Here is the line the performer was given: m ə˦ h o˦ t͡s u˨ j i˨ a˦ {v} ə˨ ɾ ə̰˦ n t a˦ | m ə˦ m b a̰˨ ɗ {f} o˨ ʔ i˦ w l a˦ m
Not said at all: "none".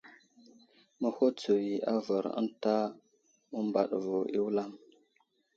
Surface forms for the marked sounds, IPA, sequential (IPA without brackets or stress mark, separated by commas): v, v